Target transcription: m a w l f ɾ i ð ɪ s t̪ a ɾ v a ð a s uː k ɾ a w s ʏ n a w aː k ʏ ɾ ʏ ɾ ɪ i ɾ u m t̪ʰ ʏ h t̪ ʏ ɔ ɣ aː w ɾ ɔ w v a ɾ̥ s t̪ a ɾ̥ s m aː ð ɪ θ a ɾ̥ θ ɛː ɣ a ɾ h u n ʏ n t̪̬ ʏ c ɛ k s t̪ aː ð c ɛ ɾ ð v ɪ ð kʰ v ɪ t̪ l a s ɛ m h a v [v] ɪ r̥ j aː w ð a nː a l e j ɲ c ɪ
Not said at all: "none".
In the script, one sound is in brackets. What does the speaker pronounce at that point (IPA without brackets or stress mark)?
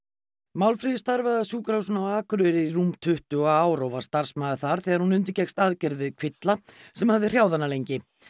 ð